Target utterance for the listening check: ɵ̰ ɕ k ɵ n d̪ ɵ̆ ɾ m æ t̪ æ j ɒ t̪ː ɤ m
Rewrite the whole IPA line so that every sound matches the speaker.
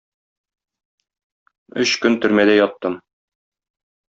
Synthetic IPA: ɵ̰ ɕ k ɵ n t̪ ɵ̆ ɾ m æ d̪ æ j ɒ t̪ː ɤ m